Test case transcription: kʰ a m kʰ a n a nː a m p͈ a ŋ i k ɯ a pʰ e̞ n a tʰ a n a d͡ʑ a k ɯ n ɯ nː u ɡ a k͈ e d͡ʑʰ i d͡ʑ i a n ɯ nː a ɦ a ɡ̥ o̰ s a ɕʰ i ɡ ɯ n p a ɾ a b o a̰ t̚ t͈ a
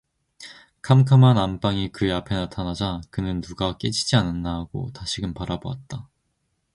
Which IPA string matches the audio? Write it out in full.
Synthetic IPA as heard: kʰ a m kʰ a m a n a m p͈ a ŋ i k ɯ a pʰ e̞ n a tʰ a n a d͡ʑ a k ɯ n ɯ nː u ɡ a k͈ e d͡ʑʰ i d͡ʑ i a n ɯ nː a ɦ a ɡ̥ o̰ t a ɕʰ i ɡ ɯ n p a ɾ a b o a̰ t̚ t͈ a